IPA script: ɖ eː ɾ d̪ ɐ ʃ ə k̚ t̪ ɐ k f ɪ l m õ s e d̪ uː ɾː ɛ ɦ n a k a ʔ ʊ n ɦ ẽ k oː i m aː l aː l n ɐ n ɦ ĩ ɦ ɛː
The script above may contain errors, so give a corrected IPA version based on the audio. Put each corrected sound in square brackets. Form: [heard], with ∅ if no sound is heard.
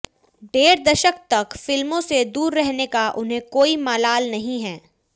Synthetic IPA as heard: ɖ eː ɾ d̪ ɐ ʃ ə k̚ t̪ ɐ k f ɪ l m õ s e d̪ uː ɾː ɛ ɦ n [e] k a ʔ ʊ n ɦ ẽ k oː i m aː l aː l n ɐ [∅] ɦ ĩ ɦ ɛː